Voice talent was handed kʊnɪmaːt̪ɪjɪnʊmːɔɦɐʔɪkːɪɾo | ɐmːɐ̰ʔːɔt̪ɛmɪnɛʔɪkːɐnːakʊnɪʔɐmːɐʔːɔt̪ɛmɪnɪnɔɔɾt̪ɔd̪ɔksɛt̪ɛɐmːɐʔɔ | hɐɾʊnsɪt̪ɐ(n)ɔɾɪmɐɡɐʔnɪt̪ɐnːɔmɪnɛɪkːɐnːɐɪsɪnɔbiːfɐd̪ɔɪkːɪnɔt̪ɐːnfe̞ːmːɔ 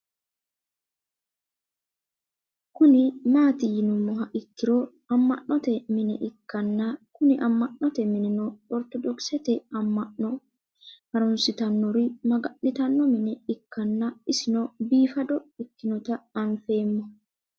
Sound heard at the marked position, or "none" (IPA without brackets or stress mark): nː